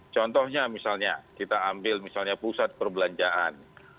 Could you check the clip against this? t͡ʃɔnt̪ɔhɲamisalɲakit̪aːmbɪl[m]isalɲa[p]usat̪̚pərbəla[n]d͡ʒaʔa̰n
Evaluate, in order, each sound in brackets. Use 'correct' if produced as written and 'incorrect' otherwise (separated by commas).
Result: correct, correct, incorrect